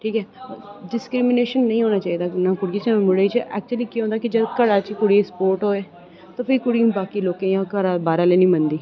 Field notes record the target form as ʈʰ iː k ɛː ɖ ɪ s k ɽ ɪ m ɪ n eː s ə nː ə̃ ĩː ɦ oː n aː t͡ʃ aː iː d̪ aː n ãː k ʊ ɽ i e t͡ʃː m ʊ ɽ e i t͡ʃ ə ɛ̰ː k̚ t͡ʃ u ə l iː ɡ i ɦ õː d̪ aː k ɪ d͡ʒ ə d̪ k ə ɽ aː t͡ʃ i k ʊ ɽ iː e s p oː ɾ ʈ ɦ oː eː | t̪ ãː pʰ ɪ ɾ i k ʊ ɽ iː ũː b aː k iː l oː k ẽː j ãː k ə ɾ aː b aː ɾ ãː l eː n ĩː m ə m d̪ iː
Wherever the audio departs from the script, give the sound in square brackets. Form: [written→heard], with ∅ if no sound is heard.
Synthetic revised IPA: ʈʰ iː k ɛː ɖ ɪ s k [ɽ→ɾ] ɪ m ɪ n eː [s→ʃ] ə nː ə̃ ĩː ɦ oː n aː t͡ʃ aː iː d̪ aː n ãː k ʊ ɽ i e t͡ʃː m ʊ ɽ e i t͡ʃ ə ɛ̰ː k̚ t͡ʃ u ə l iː [ɡ→k] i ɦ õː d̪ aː k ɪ d͡ʒ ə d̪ k ə ɽ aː t͡ʃ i k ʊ ɽ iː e s p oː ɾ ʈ ɦ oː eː | t̪ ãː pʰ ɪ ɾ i k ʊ ɽ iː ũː b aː k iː l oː k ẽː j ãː k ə ɾ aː b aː ɾ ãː l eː n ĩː m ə [m→n] d̪ iː